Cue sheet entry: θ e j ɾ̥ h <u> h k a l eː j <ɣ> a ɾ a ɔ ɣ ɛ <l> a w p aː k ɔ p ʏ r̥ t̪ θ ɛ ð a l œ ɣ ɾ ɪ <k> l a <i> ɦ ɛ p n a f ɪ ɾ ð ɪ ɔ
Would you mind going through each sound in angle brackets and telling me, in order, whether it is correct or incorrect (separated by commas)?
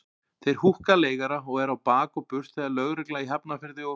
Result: correct, correct, incorrect, correct, correct